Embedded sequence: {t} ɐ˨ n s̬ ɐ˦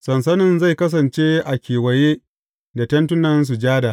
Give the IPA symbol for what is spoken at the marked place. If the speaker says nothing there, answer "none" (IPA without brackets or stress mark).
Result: s